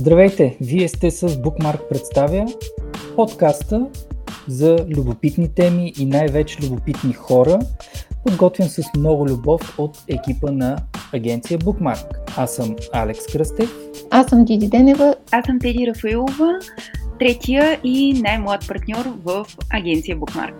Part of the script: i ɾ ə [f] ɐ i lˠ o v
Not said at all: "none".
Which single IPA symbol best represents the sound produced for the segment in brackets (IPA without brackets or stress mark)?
f